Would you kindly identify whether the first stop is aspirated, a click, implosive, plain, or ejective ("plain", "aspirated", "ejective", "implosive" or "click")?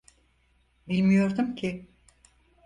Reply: plain